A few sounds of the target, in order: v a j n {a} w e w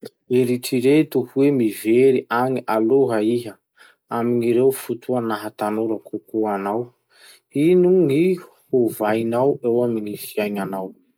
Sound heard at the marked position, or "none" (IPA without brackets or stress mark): a